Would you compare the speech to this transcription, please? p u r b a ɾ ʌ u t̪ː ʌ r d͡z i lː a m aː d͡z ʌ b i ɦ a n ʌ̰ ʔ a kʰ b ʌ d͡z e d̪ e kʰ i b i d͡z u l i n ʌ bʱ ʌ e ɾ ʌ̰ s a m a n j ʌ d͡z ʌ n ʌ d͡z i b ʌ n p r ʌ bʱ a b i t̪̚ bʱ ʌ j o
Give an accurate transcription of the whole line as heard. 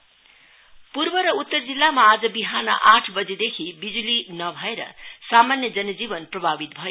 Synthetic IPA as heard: p u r b ʌ ɾ ʌ u t̪ː ʌ r d͡z i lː a m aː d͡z ʌ b i ɦ a n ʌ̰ ʔ a ʈʰ b ʌ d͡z e d̪ e kʰ i b i d͡z u l i n ʌ bʱ ʌ e ɾ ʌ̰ s a m a n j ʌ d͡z ʌ n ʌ d͡z i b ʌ n p r ʌ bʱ a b i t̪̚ bʱ ʌ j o